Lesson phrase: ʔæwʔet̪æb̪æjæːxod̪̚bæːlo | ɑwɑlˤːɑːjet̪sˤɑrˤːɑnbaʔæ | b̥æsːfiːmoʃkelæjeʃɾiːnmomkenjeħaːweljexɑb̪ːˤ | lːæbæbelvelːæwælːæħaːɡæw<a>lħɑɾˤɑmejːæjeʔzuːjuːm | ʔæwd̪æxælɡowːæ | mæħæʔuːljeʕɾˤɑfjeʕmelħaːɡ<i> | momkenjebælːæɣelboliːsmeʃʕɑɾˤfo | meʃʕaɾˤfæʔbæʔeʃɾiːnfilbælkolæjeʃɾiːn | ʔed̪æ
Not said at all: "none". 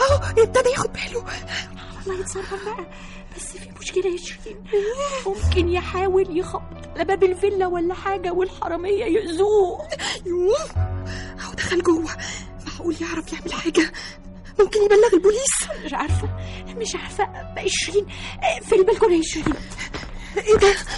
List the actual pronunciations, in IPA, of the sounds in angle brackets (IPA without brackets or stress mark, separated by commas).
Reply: e, æ